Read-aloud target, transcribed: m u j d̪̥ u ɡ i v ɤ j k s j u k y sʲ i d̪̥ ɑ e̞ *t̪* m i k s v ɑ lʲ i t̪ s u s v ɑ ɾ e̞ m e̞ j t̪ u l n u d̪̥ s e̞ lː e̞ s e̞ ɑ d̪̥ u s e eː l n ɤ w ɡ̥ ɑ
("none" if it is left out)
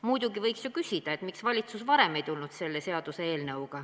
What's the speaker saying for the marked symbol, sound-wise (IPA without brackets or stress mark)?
t̪